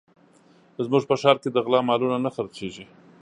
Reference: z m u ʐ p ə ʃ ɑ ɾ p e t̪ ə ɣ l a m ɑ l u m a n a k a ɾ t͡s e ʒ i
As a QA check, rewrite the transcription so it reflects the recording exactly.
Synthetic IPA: z m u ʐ p ə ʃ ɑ ɾ k e d̪ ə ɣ l ɑ m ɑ l u n a n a x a ɾ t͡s e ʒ i